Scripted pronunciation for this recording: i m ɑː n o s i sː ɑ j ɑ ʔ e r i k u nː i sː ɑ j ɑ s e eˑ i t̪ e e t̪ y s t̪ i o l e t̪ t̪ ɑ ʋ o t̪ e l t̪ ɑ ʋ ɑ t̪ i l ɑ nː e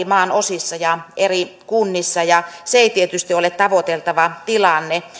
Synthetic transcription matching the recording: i m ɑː n o s i sː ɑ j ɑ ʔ e r i k u nː i sː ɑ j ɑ s e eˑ i t̪ i e t̪ y s t̪ i o l e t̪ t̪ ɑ ʋ o t̪ e l t̪ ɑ ʋ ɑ t̪ i l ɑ nː e